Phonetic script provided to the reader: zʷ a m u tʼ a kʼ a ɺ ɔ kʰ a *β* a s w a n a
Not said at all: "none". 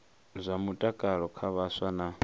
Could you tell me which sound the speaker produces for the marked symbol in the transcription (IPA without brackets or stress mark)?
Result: β